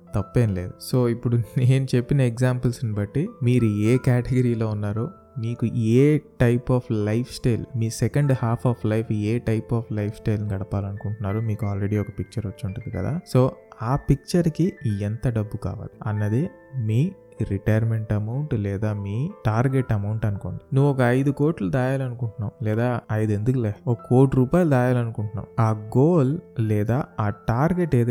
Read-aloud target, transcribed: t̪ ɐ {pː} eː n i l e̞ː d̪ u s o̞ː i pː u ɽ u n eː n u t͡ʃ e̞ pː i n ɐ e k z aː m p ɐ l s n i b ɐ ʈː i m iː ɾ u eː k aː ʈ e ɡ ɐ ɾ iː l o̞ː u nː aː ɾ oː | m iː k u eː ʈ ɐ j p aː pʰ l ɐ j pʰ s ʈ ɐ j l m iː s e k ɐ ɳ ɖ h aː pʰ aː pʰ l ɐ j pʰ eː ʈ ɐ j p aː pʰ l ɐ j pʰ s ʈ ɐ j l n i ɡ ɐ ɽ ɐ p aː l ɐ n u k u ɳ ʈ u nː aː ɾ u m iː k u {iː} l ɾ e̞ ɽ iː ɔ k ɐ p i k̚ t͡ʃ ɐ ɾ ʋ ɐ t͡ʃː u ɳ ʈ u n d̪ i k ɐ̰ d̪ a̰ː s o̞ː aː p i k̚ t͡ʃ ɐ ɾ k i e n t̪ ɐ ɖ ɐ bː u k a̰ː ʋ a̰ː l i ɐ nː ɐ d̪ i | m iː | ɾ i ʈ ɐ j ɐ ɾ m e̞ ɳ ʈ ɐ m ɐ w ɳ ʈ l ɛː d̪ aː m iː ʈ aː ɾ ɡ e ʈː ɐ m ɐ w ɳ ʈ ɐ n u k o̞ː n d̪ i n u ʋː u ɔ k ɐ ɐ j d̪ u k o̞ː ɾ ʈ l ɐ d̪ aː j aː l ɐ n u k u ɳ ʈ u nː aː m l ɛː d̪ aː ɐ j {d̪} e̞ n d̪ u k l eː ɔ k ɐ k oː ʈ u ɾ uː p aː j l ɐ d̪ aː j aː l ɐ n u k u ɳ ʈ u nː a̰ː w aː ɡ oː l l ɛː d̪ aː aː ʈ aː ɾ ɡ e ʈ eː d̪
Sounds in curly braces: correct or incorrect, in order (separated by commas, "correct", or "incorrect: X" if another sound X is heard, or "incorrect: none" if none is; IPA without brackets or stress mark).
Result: correct, incorrect: aː, correct